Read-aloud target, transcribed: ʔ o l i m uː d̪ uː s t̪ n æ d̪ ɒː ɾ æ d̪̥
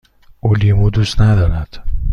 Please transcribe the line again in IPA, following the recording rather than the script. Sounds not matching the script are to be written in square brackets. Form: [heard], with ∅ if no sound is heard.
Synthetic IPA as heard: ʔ o l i m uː d̪ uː s t̪ n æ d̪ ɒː ɾ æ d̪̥